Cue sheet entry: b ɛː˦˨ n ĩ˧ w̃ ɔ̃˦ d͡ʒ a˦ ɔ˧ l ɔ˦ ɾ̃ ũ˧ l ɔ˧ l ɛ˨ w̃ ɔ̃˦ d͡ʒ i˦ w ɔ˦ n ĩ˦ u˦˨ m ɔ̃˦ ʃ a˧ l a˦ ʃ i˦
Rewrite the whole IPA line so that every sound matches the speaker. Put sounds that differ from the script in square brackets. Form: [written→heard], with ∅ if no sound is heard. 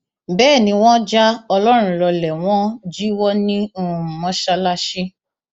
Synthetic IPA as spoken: b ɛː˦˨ n ĩ˧ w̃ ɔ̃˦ d͡ʒ a˦ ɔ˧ l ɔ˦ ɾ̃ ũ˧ l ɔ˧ l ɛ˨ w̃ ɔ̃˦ d͡ʒ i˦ w ɔ˦ n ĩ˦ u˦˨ m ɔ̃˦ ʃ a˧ l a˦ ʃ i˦